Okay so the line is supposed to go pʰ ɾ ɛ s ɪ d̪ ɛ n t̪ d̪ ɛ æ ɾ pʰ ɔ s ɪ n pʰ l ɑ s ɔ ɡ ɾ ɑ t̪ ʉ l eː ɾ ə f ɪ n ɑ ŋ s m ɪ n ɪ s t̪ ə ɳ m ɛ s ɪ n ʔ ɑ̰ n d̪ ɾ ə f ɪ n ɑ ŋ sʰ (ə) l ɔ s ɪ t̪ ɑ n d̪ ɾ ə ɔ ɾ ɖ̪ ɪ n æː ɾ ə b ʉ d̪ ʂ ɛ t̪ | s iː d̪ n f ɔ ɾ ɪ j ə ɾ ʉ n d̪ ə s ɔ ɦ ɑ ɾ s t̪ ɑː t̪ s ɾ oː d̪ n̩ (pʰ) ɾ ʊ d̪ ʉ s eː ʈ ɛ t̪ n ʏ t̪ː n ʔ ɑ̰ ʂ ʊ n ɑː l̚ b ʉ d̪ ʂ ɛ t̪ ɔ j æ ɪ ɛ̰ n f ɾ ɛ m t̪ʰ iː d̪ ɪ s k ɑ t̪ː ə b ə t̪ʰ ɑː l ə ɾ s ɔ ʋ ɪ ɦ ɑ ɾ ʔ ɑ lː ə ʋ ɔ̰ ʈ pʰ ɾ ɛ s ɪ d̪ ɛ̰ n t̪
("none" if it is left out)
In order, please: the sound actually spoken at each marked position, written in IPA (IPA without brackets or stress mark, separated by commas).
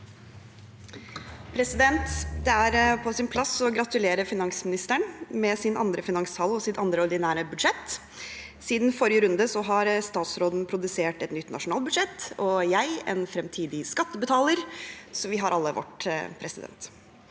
ɑ, pʰ